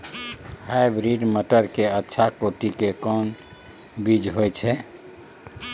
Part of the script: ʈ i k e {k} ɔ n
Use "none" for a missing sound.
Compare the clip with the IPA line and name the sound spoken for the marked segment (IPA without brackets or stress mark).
k